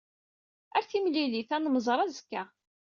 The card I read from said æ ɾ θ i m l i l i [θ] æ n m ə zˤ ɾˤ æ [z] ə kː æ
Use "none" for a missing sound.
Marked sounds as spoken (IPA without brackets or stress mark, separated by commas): θ, z